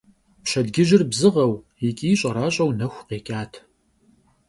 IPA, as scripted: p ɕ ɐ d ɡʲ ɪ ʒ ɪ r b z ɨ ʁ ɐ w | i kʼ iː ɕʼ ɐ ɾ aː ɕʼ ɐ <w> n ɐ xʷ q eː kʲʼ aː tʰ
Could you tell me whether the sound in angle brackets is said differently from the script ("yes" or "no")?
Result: no